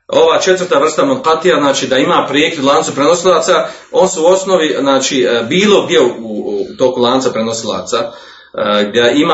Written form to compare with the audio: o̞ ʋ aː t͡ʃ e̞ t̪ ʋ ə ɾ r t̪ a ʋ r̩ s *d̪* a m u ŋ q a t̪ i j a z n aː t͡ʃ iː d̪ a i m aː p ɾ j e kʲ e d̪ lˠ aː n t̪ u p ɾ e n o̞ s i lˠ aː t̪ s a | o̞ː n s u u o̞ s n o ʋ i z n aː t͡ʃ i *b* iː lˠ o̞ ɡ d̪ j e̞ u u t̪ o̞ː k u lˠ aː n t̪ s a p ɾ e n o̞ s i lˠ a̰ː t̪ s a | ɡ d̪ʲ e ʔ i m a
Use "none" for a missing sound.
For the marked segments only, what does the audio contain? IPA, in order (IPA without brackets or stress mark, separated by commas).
t̪, b